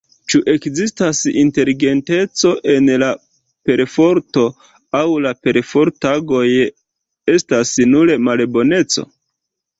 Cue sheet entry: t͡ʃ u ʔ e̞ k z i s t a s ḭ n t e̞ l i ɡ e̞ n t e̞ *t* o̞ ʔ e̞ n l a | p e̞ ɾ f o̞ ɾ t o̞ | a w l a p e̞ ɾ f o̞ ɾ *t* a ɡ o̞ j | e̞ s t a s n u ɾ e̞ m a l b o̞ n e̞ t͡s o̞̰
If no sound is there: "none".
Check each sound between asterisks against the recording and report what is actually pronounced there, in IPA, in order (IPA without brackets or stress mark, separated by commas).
t͡s, t